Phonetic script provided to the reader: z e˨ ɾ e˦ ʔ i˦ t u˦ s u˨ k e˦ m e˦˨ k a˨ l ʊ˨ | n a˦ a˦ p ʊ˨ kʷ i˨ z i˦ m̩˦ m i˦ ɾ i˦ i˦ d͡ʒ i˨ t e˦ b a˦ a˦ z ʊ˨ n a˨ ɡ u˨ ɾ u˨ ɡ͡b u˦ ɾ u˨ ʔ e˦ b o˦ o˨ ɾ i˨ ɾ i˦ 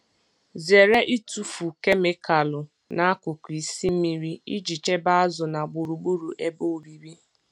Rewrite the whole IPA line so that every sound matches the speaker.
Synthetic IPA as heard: z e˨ ɾ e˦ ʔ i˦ t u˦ f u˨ k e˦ m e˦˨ k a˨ l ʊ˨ | n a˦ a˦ k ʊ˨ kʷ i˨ s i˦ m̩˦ m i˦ ɾ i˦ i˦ d͡ʒ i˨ t͡ʃ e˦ b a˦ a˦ z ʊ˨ n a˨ ɡ͡b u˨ ɾ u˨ ɡ͡b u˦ ɾ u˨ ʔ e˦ b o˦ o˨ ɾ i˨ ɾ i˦